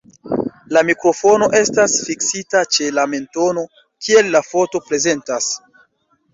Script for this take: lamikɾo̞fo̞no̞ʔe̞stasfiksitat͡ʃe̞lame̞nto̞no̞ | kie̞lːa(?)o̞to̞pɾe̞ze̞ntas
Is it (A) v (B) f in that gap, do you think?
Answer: B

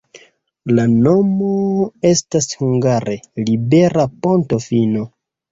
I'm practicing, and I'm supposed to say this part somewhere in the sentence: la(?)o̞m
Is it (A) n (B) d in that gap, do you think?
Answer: A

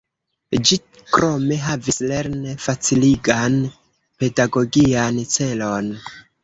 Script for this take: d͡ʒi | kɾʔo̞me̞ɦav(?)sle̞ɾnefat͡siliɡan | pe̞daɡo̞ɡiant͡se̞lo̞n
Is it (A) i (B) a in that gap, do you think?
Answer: A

